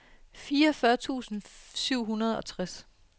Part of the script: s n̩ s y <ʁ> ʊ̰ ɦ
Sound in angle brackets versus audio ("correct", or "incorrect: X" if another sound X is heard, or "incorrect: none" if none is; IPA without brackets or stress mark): incorrect: none